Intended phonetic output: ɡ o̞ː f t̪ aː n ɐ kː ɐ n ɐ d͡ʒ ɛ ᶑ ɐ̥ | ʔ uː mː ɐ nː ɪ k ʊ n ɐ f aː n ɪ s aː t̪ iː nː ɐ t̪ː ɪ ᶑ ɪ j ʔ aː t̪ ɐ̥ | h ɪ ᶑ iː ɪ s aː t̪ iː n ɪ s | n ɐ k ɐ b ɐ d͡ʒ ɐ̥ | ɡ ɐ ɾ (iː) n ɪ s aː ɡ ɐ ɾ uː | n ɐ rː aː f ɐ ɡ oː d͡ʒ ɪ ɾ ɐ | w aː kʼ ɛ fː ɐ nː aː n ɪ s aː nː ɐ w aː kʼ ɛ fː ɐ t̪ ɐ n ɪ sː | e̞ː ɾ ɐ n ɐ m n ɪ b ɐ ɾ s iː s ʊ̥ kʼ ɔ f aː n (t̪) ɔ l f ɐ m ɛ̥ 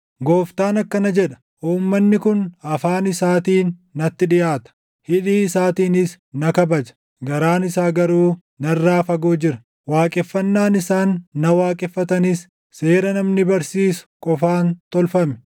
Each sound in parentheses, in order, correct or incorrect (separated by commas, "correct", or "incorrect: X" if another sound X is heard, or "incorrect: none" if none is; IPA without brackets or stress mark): incorrect: aː, correct